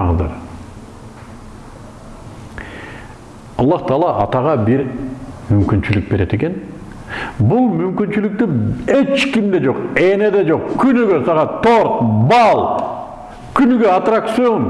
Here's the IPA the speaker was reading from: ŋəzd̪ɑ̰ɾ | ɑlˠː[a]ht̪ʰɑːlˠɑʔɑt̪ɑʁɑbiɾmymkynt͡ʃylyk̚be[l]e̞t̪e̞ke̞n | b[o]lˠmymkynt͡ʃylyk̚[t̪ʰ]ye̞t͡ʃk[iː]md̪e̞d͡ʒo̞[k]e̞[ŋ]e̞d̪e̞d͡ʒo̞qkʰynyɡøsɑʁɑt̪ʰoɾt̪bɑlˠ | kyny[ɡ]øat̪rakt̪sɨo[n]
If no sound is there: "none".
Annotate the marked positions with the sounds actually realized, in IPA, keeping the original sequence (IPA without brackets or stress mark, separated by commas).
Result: ɑ, ɾ, u, t̪, i, q, n, ɡ, n